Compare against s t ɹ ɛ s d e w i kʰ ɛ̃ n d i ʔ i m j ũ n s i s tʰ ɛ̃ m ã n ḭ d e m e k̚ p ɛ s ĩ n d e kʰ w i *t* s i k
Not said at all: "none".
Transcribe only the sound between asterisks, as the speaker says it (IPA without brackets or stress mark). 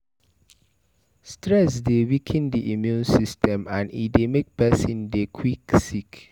k